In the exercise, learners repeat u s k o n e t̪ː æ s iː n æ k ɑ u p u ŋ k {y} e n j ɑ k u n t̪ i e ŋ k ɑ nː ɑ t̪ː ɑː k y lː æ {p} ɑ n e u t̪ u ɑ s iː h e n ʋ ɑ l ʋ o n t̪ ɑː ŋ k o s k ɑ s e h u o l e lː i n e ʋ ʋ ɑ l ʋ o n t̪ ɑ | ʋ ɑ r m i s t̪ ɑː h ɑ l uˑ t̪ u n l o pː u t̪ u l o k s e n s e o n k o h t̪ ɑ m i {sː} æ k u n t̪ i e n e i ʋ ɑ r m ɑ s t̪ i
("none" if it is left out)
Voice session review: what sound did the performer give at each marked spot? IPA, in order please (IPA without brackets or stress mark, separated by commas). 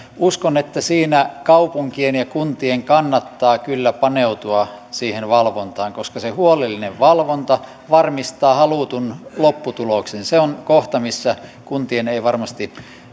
i, p, sː